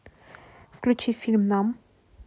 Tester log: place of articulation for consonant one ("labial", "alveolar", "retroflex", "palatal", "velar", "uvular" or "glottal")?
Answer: labial